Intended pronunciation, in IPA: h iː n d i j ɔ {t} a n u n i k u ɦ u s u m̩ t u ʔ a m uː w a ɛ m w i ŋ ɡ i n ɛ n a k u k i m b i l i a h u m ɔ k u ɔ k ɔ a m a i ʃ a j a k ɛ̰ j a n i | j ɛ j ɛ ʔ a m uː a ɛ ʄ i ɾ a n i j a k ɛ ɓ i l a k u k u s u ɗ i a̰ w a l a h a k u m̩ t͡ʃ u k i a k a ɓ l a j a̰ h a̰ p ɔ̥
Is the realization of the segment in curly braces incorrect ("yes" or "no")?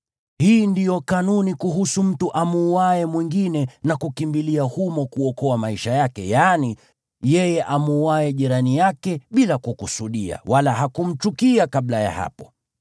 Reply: yes